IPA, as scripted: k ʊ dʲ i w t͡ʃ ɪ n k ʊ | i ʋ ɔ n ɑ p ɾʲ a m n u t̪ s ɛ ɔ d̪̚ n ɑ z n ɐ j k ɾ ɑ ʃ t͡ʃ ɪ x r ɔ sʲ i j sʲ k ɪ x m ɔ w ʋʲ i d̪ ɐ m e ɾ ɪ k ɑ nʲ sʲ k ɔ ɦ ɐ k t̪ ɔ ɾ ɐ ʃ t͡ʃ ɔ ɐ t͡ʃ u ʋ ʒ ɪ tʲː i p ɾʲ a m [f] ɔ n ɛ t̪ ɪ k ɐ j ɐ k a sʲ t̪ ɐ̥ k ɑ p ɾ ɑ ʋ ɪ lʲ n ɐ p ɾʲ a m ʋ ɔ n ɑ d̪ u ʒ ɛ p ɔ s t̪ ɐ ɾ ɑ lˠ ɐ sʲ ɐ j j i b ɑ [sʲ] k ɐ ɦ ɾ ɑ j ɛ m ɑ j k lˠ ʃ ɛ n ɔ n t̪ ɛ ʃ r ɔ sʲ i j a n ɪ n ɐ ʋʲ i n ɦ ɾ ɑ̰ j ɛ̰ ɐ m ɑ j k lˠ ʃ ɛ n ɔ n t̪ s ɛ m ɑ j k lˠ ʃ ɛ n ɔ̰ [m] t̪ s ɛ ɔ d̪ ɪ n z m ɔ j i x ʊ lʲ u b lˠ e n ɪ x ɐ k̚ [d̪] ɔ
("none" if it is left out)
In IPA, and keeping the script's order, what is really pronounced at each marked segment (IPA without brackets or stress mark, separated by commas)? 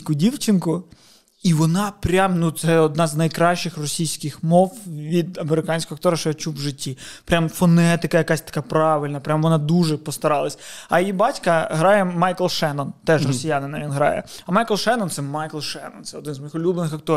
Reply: f, tʲ, n, t̪